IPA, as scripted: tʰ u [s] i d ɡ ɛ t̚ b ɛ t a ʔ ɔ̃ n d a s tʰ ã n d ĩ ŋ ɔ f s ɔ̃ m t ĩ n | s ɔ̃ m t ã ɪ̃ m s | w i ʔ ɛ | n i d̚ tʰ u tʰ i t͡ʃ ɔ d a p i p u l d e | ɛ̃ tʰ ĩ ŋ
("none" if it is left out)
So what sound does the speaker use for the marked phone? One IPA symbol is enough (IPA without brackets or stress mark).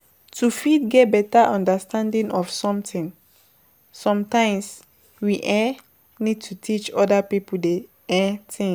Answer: f